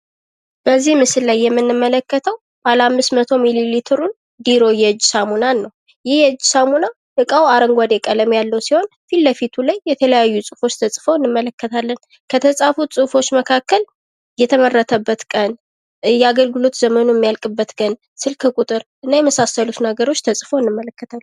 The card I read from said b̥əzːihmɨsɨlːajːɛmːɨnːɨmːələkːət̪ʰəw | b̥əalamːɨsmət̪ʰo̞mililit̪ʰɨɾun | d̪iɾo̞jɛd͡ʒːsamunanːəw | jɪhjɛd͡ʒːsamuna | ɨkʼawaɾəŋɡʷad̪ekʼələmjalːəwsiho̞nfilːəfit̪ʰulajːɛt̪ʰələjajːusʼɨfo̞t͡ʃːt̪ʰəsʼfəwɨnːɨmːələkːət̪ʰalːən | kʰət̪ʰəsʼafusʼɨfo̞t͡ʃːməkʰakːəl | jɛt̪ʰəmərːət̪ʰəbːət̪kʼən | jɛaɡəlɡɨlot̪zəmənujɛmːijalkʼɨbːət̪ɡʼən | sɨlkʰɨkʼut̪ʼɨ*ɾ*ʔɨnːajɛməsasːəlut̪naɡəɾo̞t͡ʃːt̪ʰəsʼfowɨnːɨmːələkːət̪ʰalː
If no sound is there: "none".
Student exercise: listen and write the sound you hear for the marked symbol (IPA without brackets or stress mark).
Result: ɾ